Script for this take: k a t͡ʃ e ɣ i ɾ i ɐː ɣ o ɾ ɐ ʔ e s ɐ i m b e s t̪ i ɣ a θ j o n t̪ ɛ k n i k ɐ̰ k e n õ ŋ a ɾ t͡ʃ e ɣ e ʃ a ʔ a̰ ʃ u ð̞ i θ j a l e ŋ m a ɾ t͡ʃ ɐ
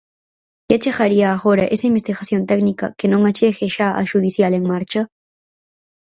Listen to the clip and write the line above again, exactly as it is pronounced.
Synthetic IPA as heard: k a t͡ʃ e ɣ a ɾ i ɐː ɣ o ɾ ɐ ʔ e s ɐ i m b e s t̪ i ɣ a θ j o n t̪ ɛ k n i k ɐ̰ k e n õ ŋ a t͡ʃ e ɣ e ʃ a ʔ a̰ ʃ u ð̞ i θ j a l e ŋ m a ɾ t͡ʃ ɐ